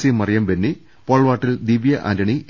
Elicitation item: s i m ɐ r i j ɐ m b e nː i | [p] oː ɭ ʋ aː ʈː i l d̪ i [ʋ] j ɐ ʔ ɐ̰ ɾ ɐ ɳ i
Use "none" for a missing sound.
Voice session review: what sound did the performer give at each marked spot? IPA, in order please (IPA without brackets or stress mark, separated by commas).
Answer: p, ʋ